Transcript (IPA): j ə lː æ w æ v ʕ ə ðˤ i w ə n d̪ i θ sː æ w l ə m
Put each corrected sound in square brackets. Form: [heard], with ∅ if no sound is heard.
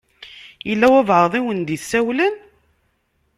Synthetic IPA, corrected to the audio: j ə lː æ w æ v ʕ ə ðˤ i w ə n d̪ i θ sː æ w l ə [n]